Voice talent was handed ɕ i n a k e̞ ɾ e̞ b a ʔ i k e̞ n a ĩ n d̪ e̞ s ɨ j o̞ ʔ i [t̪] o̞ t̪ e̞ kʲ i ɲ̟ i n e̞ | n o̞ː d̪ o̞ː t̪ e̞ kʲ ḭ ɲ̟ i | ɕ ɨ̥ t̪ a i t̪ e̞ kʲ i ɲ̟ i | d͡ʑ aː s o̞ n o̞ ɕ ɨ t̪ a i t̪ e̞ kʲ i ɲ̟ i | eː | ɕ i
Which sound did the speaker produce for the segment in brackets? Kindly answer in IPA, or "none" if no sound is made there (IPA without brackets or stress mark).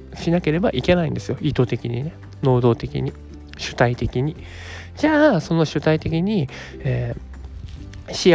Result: t̪